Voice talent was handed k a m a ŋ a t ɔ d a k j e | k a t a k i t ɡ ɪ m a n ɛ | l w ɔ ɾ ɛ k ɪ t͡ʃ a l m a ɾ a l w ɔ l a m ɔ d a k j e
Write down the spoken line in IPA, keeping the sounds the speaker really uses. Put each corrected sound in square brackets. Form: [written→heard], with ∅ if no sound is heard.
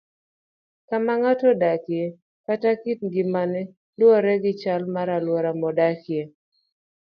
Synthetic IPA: k a m a ŋ a t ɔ d a k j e | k a t a k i t ɡ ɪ m a n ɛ | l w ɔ ɾ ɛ [k→ɡ] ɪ t͡ʃ a l m a ɾ a l w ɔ [l→ɾ] a m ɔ d a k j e